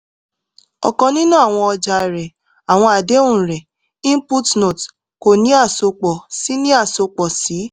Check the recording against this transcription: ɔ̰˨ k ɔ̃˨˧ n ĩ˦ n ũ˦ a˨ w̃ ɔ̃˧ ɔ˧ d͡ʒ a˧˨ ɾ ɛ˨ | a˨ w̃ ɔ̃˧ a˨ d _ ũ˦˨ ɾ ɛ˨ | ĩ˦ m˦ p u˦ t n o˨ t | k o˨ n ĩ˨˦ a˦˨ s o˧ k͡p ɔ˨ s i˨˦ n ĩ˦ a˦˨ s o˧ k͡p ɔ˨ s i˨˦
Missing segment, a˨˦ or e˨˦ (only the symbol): e˨˦